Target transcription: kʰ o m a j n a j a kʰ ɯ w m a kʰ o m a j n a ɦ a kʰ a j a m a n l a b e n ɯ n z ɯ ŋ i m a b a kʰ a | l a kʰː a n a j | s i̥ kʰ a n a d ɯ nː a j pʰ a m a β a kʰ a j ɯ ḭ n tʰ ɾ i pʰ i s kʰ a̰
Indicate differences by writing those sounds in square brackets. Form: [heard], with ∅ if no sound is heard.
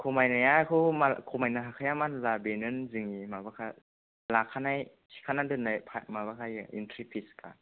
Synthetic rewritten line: kʰ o m a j n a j a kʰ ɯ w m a kʰ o m a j n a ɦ a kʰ a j a m a n l a b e n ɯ n z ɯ ŋ i m a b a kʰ a | l a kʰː a n a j | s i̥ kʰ a n a d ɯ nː a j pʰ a m a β a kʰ a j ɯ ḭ n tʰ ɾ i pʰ i s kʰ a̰